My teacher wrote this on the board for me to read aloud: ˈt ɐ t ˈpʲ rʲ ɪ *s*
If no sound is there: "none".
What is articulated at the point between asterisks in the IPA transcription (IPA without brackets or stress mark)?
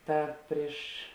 ʃ